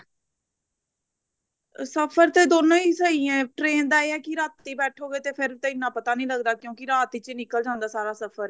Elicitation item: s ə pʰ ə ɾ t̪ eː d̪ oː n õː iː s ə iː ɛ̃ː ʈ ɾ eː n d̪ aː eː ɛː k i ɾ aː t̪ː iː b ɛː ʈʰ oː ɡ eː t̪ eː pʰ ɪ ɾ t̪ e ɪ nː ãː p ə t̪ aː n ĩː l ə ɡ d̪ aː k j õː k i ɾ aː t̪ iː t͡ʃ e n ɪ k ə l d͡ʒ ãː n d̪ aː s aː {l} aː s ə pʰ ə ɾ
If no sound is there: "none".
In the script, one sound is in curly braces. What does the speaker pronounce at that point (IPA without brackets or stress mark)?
ɾ